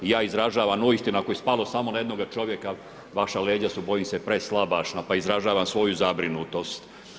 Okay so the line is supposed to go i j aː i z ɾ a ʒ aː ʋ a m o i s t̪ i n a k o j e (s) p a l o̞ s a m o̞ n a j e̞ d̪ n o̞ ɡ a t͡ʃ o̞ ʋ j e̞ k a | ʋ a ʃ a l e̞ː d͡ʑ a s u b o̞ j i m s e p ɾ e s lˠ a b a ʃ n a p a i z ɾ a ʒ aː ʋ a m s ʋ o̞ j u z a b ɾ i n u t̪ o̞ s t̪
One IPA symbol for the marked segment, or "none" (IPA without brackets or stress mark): s